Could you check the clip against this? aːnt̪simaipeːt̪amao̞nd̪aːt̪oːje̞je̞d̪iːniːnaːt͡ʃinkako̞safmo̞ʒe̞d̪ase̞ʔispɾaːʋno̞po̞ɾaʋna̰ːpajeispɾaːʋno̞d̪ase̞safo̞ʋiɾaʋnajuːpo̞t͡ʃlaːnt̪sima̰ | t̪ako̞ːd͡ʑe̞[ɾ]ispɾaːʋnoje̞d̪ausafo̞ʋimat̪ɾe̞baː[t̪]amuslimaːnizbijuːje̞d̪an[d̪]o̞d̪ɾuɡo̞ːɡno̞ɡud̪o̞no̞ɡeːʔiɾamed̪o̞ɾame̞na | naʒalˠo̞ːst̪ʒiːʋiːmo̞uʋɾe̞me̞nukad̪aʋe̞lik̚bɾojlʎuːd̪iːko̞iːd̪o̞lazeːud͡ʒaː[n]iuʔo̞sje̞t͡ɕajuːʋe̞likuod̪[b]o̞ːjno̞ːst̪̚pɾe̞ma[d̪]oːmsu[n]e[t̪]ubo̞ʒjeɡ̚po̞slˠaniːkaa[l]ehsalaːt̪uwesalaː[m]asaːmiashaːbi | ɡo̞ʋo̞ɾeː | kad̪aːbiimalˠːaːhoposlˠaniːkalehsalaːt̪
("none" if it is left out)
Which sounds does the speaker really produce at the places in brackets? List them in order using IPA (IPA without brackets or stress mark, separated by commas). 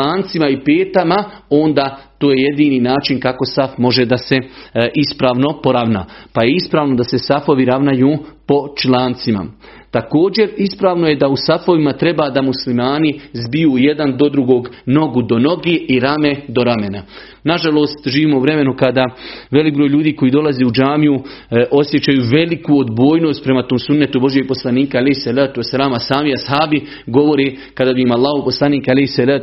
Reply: ɾ, d̪, d̪, m, b, t̪, nː, t̪, l, m